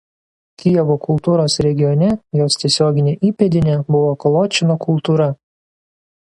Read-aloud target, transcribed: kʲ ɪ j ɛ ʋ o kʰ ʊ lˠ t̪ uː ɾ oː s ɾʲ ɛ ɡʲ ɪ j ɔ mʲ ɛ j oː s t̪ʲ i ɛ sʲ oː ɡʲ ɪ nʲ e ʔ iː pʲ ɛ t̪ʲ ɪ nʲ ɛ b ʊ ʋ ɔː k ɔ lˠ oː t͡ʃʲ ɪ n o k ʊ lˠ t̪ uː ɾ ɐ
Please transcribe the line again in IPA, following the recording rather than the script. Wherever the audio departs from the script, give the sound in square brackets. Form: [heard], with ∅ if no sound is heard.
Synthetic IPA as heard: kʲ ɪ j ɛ ʋ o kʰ ʊ lˠ t̪ uː ɾ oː s ɾʲ ɛ ɡʲ ɪ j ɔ [nʲ] ɛ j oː s t̪ʲ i ɛ sʲ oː ɡʲ ɪ nʲ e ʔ iː pʲ ɛ [d̪ʲ] ɪ nʲ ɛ b ʊ ʋ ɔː k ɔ lˠ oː t͡ʃʲ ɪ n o k ʊ lˠ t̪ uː ɾ ɐ